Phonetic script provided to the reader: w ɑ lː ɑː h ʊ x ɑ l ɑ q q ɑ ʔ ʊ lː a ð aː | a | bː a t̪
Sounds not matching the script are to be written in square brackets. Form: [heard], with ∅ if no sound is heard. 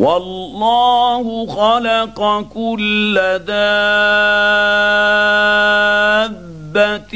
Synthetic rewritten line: w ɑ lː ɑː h ʊ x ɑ l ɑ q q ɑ [k] ʊ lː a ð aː | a | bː a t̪